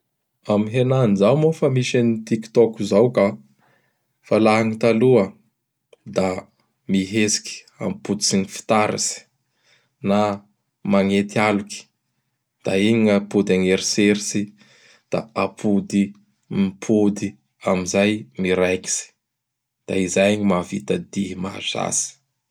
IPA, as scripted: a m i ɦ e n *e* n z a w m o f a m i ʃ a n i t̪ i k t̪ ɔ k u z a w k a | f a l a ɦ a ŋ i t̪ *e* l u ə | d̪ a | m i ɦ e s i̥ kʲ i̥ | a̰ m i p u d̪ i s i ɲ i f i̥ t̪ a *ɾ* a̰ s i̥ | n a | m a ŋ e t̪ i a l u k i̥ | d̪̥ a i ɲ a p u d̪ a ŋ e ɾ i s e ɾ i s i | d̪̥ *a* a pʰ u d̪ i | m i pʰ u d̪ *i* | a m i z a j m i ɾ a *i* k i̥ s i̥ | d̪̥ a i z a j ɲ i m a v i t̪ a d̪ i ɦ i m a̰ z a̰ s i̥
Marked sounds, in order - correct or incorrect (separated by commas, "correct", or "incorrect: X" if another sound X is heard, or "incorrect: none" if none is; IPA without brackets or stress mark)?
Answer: incorrect: a, incorrect: a, correct, correct, correct, incorrect: j